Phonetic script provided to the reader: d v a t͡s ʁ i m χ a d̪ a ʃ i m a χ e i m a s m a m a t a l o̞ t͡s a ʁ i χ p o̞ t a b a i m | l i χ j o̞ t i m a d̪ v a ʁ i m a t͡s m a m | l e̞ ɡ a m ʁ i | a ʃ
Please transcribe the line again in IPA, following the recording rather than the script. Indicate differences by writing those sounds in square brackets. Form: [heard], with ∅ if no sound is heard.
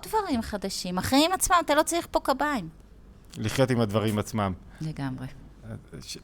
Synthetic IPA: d v a [∅] ʁ i m χ a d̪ a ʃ i m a χ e i m a [t͡s] m a m a t a l o̞ t͡s a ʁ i χ p o̞ [k] a b a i m | l i χ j o̞ t i m a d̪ v a ʁ i m a t͡s m a m | l e̞ ɡ a m ʁ [e] | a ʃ